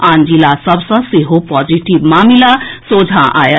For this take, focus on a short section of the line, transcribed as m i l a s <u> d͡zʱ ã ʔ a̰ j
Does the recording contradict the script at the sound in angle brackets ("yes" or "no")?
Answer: yes